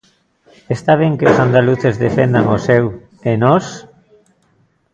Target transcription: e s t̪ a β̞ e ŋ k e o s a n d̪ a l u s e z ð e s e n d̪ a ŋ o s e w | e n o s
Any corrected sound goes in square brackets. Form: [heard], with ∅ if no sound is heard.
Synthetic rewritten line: e s t̪ a β̞ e ŋ k e o s a n d̪ a l u [θ] e z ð e [f] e n d̪ a ŋ o s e w | e n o s